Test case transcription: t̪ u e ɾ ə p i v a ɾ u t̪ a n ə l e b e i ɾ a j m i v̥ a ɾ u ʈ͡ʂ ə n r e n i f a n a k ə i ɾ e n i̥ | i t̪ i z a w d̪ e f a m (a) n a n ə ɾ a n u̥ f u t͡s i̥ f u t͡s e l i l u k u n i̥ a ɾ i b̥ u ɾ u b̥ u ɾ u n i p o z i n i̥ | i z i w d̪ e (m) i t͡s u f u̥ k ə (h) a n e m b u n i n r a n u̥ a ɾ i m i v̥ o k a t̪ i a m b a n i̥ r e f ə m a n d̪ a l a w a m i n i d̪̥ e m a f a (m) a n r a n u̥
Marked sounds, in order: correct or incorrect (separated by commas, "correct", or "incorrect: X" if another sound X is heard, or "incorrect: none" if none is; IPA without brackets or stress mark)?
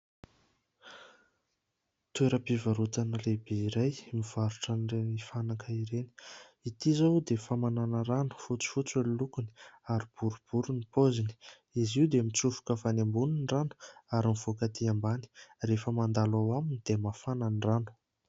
correct, correct, incorrect: f, incorrect: n